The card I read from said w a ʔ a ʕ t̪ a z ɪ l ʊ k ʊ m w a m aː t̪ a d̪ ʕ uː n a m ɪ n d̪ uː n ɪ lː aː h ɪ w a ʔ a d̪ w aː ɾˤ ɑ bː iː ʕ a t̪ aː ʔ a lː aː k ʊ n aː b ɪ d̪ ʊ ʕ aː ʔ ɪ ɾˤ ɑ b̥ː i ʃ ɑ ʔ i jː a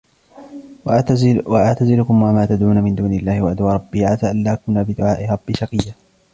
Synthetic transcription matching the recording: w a ʔ a ʕ t̪ a z ɪ l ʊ k ʊ m w a m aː t̪ a d̪ ʕ uː n a m ɪ n d̪ uː n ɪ lː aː h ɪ w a ʔ a d̪ w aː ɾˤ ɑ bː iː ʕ a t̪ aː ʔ a lː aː k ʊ n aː b ɪ d̪ ʊ ʕ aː ʔ ɪ ɾˤ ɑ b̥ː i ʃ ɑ q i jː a